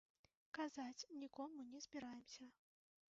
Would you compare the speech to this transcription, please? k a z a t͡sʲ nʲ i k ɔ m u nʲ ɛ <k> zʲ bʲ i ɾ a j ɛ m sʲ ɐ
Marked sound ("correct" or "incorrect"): incorrect